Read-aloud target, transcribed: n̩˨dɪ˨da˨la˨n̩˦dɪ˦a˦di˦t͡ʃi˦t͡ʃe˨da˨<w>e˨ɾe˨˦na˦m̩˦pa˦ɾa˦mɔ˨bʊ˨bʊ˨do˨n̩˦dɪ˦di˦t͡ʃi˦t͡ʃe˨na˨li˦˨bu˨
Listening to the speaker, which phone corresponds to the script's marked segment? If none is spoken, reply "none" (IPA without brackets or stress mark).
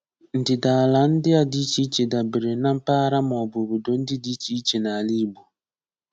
b